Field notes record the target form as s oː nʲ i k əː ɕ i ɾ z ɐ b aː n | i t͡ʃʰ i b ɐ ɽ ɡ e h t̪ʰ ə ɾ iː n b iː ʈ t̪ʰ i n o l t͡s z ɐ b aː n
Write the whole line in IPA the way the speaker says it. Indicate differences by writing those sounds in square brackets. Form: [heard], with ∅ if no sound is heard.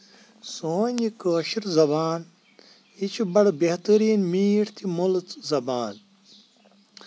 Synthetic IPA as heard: s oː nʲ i k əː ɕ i ɾ z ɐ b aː n | i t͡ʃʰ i b ɐ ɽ [b] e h [t̪] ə ɾ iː n [m] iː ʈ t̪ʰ i [m] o l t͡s z ɐ b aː n